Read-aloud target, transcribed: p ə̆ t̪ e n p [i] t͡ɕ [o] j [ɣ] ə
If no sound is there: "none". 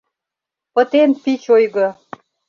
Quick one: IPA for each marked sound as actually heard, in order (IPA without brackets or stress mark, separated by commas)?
i, o, ɣ